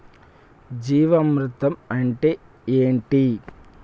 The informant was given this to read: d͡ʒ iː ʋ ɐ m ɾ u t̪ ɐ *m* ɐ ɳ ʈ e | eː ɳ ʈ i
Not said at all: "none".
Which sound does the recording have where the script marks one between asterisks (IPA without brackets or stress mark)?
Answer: m